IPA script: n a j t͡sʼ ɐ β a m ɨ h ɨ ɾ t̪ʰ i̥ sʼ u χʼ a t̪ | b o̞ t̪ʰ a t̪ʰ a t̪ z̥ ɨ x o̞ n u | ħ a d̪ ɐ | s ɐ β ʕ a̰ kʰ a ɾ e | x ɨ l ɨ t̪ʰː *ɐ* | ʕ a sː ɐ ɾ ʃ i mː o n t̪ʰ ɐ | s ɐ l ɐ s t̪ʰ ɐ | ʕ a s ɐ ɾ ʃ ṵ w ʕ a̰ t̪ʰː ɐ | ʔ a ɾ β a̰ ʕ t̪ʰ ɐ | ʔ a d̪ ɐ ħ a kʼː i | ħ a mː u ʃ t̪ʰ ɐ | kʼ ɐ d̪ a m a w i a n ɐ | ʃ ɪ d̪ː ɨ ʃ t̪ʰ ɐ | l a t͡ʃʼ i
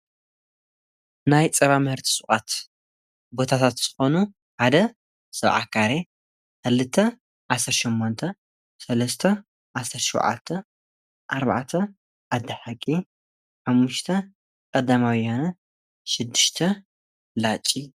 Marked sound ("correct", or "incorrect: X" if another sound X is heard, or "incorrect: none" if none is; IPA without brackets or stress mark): correct